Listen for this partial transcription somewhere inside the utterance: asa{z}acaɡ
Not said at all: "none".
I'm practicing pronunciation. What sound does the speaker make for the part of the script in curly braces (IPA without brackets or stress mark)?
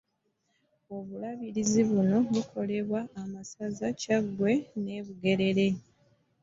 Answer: z